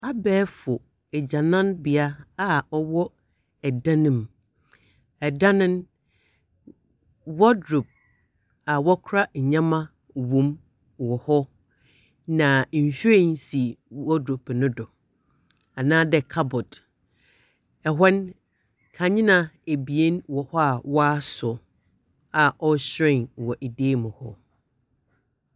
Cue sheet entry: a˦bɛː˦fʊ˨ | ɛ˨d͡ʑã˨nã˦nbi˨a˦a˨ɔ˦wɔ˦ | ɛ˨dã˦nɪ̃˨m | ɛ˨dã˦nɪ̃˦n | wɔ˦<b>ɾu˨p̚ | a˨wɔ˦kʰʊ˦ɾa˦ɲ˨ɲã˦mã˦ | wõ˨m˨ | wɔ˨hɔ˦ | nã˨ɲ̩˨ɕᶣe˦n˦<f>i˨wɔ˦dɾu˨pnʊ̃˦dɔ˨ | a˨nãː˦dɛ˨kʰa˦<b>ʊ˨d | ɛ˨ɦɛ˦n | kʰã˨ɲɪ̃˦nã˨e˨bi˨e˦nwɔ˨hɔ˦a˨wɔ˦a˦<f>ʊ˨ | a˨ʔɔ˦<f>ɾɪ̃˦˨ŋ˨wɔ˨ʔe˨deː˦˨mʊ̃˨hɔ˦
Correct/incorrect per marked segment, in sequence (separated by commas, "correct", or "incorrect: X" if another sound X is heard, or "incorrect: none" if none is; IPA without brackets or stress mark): incorrect: d, incorrect: s, correct, incorrect: s, incorrect: ɕ